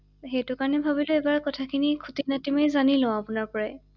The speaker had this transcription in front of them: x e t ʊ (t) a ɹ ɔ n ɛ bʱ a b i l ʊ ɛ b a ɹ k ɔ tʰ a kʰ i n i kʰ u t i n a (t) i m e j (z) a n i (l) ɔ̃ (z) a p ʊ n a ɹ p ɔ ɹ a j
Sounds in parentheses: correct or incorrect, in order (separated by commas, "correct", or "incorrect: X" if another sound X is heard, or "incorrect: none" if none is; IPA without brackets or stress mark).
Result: incorrect: k, correct, correct, correct, incorrect: none